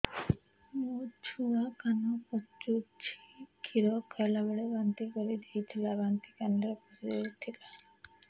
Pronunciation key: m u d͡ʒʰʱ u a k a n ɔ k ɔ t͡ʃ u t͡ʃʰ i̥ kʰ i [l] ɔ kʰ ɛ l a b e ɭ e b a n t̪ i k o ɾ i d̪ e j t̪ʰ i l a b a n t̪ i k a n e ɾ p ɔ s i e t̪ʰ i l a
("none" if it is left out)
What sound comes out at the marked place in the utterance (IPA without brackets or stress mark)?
ɾ